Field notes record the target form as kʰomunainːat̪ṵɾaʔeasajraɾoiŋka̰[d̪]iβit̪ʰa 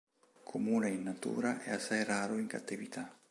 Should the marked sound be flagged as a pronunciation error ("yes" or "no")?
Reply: yes